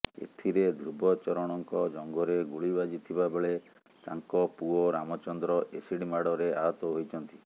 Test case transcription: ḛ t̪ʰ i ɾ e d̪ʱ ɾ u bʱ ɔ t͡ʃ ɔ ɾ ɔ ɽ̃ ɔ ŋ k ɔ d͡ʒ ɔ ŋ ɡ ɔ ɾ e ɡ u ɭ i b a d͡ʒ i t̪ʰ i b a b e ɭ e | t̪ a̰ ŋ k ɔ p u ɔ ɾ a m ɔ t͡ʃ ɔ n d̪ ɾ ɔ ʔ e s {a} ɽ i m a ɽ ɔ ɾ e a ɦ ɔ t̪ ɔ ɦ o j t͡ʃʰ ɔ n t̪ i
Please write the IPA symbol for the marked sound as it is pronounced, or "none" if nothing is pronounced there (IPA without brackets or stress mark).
i